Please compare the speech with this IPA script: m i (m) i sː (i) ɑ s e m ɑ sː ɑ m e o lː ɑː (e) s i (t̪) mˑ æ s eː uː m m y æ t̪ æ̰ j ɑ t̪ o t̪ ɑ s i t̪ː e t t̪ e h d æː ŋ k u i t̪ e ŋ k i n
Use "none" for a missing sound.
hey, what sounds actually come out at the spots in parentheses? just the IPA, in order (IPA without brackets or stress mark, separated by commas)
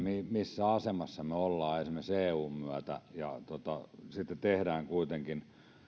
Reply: m, æ, e, none